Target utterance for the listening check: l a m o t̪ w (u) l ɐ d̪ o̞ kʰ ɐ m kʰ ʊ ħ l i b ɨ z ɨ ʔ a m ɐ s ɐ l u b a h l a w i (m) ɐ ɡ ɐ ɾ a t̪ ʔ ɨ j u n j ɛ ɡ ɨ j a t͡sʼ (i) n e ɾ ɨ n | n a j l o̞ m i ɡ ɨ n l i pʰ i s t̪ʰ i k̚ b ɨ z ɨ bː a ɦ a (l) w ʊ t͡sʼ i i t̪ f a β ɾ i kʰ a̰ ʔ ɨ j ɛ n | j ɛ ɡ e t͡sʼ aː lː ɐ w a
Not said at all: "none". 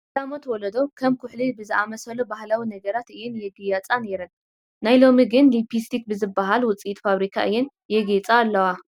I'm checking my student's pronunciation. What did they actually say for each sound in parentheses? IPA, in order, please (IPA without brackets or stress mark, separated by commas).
ɔ, n, a, l